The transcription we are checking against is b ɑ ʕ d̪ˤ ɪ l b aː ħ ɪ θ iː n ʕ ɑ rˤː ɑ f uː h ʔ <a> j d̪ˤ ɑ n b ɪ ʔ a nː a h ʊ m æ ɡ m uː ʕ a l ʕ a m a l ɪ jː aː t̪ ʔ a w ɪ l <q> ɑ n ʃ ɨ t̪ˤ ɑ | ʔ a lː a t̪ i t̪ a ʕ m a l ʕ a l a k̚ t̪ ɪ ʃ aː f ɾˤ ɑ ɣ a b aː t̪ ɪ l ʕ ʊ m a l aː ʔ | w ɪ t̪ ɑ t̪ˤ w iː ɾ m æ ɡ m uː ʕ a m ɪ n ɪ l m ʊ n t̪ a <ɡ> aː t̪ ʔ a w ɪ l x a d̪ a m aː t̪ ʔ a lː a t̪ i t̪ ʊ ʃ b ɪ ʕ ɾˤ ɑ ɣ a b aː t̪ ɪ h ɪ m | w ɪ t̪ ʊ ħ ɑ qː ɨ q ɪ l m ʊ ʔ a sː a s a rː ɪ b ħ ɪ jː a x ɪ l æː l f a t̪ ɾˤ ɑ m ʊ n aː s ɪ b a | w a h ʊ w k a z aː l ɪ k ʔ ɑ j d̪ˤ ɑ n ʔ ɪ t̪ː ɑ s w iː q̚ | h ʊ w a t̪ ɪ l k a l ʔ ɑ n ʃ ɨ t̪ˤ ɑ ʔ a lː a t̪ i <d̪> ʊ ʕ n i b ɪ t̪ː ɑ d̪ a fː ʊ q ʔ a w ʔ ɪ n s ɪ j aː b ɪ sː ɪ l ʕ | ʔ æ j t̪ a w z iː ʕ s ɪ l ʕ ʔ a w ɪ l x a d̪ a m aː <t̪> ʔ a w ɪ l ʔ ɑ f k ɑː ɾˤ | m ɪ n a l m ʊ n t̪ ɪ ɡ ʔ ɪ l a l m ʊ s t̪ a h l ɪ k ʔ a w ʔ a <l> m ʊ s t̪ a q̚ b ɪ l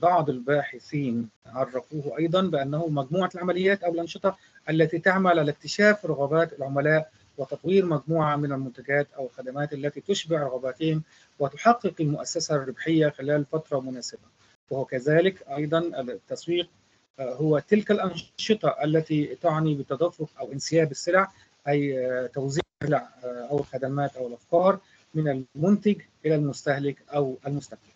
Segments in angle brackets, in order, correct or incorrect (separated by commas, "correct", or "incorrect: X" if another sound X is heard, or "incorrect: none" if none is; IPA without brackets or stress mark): incorrect: ɑ, incorrect: ʔ, correct, incorrect: t̪, correct, correct